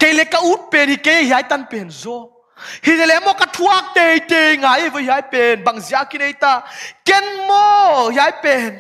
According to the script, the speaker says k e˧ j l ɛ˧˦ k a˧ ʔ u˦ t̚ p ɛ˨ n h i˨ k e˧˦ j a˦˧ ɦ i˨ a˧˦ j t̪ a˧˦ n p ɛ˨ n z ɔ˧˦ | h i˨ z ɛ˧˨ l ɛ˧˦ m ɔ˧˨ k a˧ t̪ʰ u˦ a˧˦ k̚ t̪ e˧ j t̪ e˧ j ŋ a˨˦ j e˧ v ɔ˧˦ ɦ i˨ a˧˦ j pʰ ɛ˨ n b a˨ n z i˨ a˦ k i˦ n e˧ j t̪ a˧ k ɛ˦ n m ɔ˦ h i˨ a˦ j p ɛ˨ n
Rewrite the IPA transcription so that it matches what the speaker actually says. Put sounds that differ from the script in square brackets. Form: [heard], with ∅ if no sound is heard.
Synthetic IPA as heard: k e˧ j l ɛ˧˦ k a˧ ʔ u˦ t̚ p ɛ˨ n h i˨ k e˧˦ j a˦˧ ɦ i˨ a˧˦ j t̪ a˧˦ n p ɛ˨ n z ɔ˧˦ | h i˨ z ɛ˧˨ l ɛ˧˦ m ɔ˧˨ k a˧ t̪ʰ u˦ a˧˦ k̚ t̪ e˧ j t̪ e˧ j ŋ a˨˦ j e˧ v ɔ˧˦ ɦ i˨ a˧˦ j [p] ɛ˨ n b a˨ [ŋ] z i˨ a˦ k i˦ n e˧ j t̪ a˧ k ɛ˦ n m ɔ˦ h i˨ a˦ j p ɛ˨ n